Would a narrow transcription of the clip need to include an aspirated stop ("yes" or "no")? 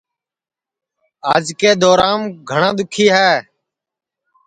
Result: yes